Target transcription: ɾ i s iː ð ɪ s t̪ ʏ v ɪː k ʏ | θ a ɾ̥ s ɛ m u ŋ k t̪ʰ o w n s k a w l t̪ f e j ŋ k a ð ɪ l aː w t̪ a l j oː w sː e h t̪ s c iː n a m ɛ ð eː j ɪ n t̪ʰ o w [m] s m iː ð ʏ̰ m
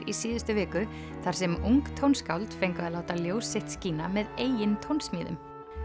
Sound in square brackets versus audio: incorrect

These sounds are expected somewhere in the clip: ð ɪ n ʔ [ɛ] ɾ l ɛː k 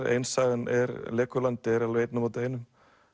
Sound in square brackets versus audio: correct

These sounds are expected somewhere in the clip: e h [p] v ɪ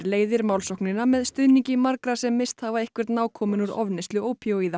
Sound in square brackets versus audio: incorrect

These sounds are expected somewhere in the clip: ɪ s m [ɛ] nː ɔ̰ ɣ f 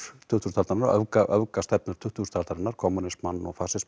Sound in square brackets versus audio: incorrect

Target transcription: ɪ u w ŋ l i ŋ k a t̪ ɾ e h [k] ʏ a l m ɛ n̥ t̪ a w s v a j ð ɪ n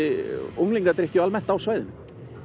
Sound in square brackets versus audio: incorrect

